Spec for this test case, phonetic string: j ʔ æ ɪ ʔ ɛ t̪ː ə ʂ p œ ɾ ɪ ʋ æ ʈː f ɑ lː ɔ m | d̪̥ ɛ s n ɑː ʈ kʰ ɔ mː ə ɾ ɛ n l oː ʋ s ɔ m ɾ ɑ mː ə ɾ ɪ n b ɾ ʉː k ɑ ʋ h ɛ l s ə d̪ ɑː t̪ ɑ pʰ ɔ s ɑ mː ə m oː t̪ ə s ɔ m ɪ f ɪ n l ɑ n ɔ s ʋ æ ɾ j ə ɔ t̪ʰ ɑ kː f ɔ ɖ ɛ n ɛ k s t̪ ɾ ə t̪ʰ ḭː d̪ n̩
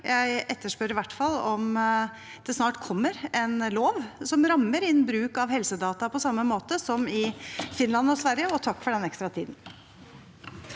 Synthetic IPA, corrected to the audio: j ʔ æ ɪ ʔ ɛ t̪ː ə ʂ p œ ɾ ɪ ʋ æ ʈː f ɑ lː ɔ m | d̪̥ ɛ s n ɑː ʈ kʰ ɔ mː ə ɾ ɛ n l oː ʋ s ɔ m ɾ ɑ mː ə ɾ ɪ n b ɾ ʉː k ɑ ʋ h ɛ l s ə d̪ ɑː t̪ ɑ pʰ ɔ s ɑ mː ə m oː t̪ ə s ɔ m ɪ f ɪ n l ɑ n ɔ s ʋ æ ɾ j ə ɔ t̪ʰ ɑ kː f ɔ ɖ ɛ n ɛ k s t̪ ɾ ɑ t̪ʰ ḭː d̪ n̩

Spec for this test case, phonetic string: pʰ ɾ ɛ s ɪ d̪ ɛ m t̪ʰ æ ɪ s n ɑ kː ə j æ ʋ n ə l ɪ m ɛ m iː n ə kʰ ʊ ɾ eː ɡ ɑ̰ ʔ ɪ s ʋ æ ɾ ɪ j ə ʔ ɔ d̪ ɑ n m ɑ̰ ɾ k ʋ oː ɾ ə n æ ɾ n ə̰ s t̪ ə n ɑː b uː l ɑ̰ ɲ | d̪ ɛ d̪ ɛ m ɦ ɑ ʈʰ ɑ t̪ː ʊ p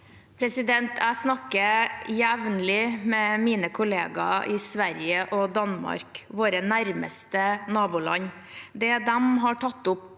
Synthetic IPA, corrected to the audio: pʰ ɾ ɛ s ɪ d̪ ɛ n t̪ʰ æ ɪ s n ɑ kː ə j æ ʋ n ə l ɪ m ɛ m iː n ə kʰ ʊ l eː ɡ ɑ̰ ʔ ɪ s ʋ æ ɾ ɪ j ə ʔ ɔ d̪ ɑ n m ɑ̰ ɾ k ʋ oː ɾ ə n æ ɾ m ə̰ s t̪ ə n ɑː b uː l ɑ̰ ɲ | d̪ ɛ d̪ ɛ m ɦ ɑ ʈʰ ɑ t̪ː ʊ p

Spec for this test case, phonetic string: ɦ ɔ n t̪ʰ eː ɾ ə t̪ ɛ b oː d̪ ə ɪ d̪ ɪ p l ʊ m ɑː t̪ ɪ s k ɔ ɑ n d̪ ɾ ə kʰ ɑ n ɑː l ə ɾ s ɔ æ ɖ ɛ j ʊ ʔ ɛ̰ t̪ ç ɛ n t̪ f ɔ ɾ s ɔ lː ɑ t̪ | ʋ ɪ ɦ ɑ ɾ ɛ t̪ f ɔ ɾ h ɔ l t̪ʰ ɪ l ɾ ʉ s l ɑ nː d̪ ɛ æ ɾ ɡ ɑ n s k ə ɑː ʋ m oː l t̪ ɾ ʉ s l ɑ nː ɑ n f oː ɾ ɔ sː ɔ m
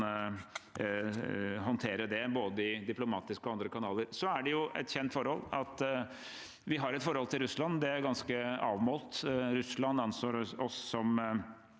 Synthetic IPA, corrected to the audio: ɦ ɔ n t̪ʰ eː ɾ ə d̪ ɛ b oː d̪ ə ɪ d̪ ɪ p l ʊ m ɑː t̪ ɪ s k ɔ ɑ n d̪ ɾ ə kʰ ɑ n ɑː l ə ɾ s ɔ æ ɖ ɛ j ʊ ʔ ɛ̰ t̪ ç ɛ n t̪ f ɔ ɾ h ɔ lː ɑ t̪ | ʋ ɪ ɦ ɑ ɾ ɛ t̪ f ɔ ɾ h ɔ l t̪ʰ ɪ l ɾ ʉ s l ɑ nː d̪ ɛ æ ɾ ɡ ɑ n s k ə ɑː ʋ m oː l t̪ ɾ ʉ s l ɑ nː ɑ n s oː ɾ ɔ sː ɔ m

